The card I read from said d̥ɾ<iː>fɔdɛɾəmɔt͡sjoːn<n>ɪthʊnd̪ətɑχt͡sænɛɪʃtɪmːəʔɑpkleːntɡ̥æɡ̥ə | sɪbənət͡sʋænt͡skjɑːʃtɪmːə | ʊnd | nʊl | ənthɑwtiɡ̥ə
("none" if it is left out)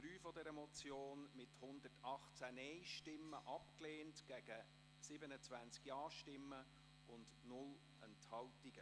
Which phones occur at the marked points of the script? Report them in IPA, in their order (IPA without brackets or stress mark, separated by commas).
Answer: yː, m